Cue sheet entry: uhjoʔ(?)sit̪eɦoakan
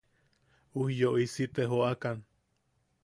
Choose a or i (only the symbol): i